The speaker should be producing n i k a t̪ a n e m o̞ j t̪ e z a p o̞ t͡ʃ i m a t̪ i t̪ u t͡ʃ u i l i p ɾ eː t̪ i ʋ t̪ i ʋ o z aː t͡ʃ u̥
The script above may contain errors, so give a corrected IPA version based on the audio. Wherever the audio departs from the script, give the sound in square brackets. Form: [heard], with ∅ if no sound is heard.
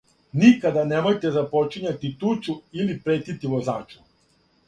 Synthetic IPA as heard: n i k a [d̪] a n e m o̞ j t̪ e z a p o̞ t͡ʃ i [ɲ] a t̪ i t̪ u t͡ʃ u i l i p ɾ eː t̪ i [∅] t̪ i ʋ o z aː t͡ʃ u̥